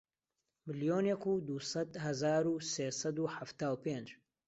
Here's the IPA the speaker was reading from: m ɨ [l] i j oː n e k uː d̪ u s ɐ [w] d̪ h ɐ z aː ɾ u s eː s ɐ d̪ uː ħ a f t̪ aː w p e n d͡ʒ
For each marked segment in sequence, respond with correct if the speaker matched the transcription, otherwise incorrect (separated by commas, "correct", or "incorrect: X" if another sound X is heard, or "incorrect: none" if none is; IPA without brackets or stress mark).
correct, incorrect: none